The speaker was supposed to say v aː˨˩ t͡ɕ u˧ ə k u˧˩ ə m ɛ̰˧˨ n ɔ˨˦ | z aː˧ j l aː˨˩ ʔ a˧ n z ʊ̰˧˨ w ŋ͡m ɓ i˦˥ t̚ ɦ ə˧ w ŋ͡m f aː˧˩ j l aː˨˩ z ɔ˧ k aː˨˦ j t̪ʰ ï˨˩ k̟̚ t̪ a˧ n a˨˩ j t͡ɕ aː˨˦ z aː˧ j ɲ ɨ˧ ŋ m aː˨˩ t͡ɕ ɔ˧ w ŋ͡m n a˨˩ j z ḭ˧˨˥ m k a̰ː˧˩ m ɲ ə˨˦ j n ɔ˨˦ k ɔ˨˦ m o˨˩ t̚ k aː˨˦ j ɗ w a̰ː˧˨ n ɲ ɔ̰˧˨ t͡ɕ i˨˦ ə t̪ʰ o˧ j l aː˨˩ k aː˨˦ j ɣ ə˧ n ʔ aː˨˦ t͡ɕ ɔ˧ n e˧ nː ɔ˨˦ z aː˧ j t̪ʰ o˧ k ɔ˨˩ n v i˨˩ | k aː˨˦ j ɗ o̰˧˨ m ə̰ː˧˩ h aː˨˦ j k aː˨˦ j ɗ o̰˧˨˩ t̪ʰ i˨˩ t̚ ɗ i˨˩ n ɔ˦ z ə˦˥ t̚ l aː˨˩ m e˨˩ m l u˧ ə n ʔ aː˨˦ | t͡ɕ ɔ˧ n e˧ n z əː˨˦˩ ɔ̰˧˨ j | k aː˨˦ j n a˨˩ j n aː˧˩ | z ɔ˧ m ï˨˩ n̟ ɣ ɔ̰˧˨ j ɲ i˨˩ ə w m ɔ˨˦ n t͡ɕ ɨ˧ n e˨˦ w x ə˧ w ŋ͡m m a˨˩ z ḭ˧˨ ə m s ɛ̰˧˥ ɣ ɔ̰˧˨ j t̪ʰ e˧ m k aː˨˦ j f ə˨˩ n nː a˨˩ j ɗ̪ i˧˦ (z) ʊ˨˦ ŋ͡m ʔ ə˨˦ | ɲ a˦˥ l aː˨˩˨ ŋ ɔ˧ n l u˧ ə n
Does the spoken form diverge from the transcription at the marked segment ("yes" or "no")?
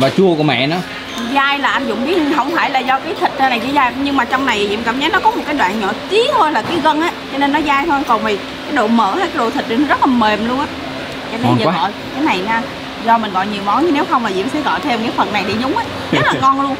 no